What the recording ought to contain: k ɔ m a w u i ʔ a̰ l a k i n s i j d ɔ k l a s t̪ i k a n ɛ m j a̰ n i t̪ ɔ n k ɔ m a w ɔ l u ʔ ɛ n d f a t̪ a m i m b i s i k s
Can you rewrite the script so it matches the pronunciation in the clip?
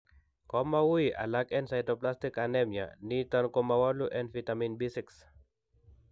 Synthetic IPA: k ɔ m a w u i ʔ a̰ l a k ɛ n s a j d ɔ p l a s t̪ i k a n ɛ m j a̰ n i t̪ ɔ n k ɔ m a w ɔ l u ʔ ɛ n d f i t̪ a m i n b i s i k s

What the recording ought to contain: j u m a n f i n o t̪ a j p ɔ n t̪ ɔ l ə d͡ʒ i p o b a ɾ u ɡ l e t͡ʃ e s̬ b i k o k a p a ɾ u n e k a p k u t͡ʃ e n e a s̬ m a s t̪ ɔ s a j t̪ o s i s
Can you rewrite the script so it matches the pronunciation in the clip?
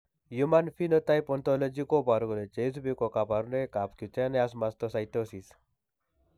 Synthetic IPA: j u m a n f i n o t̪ a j p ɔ n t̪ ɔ l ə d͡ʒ i k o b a ɾ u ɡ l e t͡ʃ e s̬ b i k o k a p a ɾ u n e k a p k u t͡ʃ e n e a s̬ m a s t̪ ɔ s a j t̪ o s i s

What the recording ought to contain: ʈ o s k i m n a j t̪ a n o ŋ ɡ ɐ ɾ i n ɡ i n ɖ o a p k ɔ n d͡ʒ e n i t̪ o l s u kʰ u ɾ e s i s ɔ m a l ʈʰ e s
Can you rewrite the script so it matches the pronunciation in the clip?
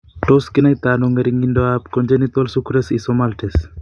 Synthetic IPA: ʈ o s k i n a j t̪ a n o ŋ ɡ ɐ ɾ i ŋ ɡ i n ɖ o a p k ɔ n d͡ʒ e n i t̪ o l s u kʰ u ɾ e s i s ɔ m a l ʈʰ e s

